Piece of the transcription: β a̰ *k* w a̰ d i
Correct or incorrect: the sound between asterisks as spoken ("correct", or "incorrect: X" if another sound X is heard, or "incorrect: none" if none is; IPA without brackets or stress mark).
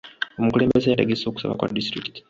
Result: correct